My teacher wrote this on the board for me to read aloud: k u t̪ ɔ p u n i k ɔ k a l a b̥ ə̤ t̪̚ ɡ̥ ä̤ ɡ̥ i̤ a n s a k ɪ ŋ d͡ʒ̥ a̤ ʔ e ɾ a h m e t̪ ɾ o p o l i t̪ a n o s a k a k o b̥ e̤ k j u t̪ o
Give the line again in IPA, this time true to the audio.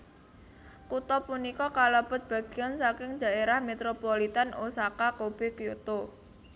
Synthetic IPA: k u t̪ ɔ p u n i k ɔ k a l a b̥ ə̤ t̪̚ b̥ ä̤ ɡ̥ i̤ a n s a k ɪ ŋ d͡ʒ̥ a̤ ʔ e ɾ a h m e t̪ ɾ o p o l i t̪ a n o s a k a k o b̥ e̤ k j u t̪ o